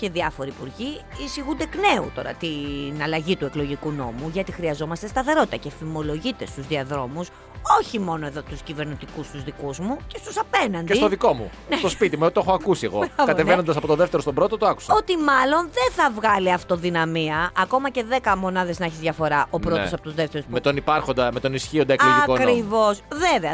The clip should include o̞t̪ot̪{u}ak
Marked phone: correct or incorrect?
incorrect